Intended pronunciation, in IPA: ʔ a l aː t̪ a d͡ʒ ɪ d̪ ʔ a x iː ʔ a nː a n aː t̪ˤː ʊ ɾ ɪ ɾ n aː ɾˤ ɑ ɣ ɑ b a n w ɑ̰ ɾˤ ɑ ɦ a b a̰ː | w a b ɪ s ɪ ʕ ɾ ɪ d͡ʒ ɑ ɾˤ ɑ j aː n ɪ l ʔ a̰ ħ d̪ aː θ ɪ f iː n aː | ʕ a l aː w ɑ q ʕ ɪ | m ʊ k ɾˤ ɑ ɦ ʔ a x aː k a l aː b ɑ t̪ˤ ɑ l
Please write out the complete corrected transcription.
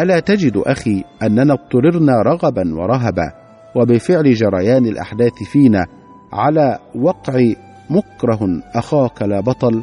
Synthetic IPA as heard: ʔ a l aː t̪ a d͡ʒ ɪ d̪ ʔ a x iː ʔ a nː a n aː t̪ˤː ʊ ɾ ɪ ɾ n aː ɾˤ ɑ ɣ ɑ b a n w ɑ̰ ɾˤ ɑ ɦ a b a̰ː | w a b ɪ f ɪ ʕ l ɪ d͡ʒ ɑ ɾˤ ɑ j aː n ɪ l ʔ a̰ ħ d̪ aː θ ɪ f iː n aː | ʕ a l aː w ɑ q ʕ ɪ | m ʊ k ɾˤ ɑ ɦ ʔ a x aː k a l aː b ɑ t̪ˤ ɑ l